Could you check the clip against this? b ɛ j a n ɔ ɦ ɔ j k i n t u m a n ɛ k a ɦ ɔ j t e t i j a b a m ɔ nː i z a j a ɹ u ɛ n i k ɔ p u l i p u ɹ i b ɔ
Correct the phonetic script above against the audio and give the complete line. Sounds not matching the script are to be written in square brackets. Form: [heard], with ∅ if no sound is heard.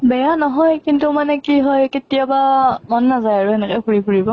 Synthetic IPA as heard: b ɛ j a n ɔ ɦ ɔ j k i n t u m a n ɛ k [i] ɦ ɔ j [k] e t i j a b a m ɔ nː [a] z a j a ɹ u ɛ n [ɛ] k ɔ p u [ɹ] i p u ɹ i b ɔ